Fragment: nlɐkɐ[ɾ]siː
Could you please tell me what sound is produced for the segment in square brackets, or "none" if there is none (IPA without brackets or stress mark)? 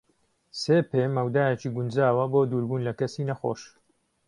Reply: none